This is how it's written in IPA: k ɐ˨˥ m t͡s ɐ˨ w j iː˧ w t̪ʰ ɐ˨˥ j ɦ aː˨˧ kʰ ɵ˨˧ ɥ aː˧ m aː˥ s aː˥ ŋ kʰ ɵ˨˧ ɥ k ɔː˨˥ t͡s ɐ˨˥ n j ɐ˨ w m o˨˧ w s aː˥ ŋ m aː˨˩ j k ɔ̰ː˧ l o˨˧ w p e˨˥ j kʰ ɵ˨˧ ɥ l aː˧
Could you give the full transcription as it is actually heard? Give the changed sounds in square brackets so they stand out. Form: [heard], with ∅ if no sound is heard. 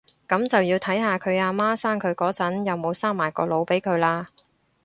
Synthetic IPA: k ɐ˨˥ m t͡s ɐ˨ w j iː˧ w t̪ʰ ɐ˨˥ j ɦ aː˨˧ kʰ ɵ˨˧ ɥ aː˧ m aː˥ s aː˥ ŋ kʰ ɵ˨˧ ɥ k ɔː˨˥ t͡s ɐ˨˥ n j ɐ˨ w m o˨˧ w s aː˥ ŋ m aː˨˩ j k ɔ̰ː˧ l o˨˧ w p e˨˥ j kʰ ɵ˨˧ ɥ l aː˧